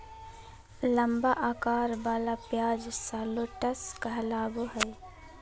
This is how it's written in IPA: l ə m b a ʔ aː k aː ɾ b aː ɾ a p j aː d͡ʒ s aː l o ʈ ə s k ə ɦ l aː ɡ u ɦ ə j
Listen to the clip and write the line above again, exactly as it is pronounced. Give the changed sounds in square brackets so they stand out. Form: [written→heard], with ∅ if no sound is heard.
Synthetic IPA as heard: l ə m b a ʔ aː k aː ɾ b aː [ɾ→l] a p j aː d͡ʒ s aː l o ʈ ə s k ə ɦ l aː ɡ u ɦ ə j